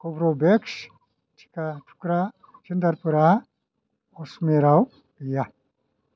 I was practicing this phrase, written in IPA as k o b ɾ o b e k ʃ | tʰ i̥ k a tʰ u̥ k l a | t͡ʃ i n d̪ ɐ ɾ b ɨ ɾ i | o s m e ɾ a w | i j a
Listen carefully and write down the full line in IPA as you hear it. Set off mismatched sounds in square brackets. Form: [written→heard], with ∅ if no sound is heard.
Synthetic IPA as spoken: k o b ɾ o b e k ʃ | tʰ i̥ k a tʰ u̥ k [l→ɾ] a | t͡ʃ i n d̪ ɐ ɾ [b→p] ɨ ɾ [i→a] | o s m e ɾ a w | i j a